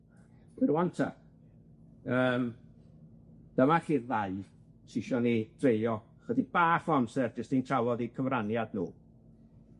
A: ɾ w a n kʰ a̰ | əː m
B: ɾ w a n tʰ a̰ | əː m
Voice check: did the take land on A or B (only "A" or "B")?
B